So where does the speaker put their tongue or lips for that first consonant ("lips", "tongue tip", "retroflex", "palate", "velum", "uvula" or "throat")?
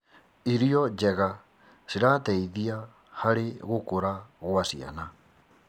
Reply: tongue tip